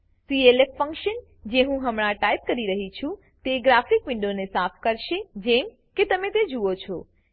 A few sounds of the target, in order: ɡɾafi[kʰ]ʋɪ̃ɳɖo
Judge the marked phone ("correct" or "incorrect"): incorrect